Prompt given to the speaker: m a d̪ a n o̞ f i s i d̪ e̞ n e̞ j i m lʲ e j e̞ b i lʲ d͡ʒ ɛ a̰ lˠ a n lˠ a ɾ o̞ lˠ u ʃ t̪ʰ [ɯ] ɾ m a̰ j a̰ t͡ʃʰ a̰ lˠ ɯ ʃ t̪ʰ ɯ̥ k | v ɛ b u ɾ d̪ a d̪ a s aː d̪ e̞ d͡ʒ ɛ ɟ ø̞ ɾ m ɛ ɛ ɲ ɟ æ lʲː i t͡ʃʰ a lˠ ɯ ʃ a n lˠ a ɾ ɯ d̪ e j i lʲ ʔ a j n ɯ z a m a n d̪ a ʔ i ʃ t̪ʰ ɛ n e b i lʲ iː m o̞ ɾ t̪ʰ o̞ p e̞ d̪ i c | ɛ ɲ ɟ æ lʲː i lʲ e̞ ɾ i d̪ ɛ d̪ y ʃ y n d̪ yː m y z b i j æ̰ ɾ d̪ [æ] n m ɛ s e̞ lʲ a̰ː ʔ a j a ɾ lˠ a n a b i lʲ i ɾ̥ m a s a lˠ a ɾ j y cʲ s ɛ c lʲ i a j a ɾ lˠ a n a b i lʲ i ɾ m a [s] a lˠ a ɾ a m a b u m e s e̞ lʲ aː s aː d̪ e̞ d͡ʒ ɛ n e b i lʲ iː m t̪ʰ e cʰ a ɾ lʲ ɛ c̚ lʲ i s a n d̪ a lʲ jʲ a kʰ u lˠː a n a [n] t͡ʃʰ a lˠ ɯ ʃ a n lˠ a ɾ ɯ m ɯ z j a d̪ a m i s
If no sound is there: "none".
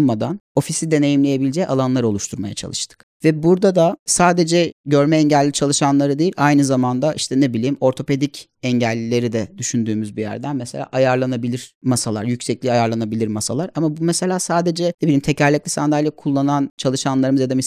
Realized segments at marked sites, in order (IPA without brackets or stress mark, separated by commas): u, æ, s, n